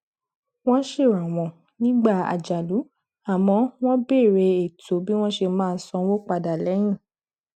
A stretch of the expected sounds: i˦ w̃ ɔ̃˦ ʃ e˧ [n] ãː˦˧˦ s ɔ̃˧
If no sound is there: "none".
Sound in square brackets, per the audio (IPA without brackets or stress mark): m